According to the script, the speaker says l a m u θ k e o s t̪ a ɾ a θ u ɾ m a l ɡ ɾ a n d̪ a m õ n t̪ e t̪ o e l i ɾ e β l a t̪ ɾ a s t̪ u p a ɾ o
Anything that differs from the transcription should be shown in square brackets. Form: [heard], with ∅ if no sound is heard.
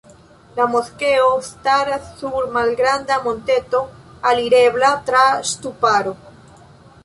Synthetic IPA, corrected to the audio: l a m [o] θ k e o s t̪ a ɾ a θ u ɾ m a l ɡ ɾ a n d̪ a m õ n t̪ e t̪ o [a] l i ɾ e β l a t̪ ɾ a s t̪ u p a ɾ o